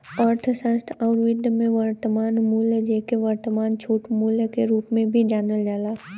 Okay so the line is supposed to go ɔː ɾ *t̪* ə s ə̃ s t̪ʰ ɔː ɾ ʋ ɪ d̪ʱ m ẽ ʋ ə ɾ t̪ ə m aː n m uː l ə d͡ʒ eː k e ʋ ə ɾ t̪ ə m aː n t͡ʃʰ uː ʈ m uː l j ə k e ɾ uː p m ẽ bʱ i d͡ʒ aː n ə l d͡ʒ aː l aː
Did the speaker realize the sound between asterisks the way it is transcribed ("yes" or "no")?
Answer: no